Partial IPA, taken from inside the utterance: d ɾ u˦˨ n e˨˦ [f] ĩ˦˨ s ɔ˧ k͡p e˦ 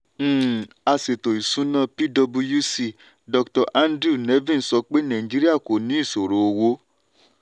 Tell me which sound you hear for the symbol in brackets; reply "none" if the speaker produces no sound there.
v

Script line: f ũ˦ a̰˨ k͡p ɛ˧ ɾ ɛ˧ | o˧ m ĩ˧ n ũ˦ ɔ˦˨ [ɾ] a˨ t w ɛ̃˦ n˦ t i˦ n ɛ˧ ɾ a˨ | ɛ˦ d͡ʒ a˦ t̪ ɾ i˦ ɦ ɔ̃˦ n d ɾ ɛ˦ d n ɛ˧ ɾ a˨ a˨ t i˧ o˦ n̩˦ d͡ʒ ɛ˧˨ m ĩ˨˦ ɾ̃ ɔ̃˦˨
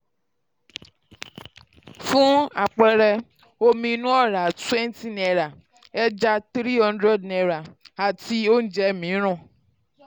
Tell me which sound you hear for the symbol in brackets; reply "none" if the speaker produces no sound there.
ɾ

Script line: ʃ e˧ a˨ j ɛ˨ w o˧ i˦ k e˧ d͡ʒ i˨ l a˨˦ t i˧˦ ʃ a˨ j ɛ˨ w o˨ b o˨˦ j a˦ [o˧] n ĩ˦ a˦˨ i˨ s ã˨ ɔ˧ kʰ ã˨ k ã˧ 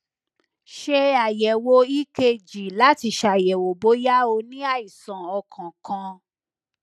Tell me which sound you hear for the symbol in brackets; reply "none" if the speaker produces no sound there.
o˧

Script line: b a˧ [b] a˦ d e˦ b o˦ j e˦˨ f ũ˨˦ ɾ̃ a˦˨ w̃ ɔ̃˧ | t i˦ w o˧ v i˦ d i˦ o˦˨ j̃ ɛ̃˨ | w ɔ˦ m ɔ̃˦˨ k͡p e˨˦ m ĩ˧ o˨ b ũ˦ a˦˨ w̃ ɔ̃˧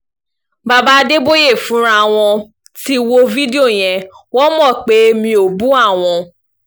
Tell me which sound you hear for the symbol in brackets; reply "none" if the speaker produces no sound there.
b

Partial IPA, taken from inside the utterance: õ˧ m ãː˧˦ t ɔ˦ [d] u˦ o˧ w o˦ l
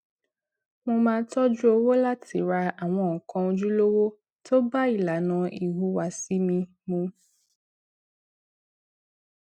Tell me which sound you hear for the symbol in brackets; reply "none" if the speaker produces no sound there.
d͡ʒ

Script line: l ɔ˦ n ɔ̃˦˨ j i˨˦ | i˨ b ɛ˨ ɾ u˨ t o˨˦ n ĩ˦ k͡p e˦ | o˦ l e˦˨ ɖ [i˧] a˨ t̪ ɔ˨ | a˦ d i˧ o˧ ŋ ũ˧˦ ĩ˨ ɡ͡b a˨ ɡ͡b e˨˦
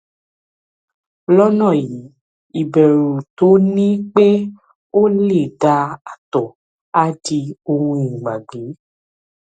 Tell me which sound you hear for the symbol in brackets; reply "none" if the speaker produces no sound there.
a˧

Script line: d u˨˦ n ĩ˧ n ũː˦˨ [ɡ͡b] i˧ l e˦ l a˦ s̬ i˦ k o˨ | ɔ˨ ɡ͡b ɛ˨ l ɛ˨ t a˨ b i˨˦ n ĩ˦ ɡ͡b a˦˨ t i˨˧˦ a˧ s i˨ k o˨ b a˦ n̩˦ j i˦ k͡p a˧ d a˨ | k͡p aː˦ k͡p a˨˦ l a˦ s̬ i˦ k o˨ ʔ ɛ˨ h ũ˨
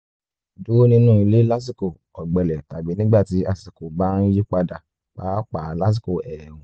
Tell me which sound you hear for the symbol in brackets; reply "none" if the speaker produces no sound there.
none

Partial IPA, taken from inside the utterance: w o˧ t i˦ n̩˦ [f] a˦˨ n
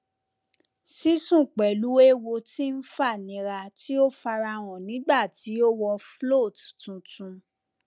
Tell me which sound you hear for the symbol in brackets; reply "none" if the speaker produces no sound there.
f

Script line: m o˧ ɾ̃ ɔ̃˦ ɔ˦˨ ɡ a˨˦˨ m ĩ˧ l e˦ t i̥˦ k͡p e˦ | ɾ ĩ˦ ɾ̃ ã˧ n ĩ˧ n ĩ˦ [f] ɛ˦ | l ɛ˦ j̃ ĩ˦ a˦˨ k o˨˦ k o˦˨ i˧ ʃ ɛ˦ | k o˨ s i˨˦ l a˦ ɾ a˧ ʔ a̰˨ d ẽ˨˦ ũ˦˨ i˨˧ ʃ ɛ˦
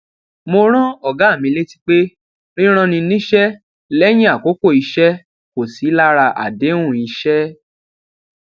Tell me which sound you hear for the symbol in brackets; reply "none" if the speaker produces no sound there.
ʃ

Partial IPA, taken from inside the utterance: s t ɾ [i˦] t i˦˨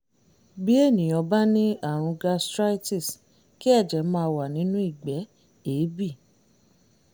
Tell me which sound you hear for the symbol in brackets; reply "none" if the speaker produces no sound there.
a˦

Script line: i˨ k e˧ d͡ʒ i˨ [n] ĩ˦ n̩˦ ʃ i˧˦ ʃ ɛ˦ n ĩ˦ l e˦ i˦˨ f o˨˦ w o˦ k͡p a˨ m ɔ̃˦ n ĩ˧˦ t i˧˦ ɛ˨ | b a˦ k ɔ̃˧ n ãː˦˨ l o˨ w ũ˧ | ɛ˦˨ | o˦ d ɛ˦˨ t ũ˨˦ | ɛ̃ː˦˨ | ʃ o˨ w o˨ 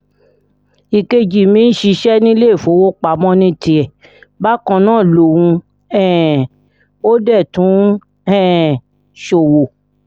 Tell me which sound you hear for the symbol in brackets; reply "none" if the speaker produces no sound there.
m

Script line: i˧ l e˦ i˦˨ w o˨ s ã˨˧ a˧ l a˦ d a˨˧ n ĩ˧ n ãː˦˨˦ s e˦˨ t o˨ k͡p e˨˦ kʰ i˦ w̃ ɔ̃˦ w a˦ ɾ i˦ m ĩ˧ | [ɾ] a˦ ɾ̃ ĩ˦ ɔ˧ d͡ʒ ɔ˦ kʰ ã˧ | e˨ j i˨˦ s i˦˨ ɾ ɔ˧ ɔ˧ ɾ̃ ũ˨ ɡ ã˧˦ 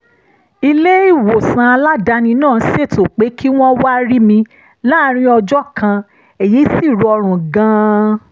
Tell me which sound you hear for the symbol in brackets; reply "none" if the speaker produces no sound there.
l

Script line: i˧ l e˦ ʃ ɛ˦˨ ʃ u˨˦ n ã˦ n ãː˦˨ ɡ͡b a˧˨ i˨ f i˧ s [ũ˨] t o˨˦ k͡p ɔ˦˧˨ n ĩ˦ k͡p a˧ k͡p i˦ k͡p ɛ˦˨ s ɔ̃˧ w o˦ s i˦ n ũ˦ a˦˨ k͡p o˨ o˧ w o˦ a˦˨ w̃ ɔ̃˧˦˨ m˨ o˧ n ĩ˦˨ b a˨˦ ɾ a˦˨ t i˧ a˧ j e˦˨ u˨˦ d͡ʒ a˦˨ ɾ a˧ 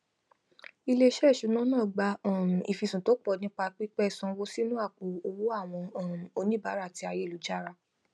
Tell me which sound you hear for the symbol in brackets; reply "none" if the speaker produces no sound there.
ũ˨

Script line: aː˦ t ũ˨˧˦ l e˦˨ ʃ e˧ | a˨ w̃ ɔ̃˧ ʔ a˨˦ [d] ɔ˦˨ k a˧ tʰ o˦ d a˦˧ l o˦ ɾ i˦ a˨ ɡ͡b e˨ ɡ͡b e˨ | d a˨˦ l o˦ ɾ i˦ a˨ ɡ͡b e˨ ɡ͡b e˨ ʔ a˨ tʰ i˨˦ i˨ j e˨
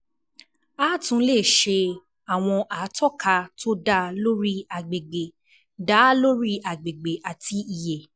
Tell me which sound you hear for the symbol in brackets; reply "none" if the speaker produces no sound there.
t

